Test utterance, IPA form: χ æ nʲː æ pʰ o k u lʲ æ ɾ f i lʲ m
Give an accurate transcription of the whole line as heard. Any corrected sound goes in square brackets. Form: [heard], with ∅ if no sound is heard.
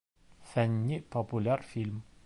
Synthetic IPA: [f] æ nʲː [i] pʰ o [p] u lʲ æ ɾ f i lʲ m